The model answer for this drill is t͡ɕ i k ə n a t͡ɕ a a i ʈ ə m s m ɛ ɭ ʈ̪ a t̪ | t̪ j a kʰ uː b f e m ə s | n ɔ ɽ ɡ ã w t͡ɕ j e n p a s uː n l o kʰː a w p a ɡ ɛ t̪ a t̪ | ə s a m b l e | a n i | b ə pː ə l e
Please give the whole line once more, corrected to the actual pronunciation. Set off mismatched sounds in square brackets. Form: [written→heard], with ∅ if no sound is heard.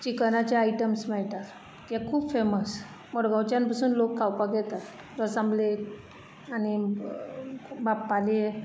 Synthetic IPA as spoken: t͡ɕ i k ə n a t͡ɕ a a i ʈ ə m s m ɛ ɭ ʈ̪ a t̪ | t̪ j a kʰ uː b f e m ə s | [n→m] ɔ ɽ ɡ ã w t͡ɕ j [e→a] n p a s uː n l o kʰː a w p a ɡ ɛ t̪ a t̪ | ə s a m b l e | a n i | b [ə→a] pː [ə→a] l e